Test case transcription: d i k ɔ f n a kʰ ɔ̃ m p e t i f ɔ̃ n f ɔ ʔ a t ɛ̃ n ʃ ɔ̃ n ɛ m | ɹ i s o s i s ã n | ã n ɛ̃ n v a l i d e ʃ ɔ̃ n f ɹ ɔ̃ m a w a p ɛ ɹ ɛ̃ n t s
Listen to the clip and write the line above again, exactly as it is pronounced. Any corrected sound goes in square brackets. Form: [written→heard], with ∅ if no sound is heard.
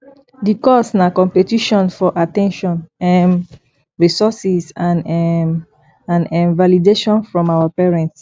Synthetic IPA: d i k ɔ [f→s] n a [kʰ→k] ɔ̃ m p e t i [f→ʃ] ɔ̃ n f ɔ ʔ a t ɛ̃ n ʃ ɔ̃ n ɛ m | ɹ i s [o→ɔ] s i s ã n | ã n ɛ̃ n v a l i d e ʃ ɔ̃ n f ɹ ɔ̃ m a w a p ɛ ɹ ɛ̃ n t s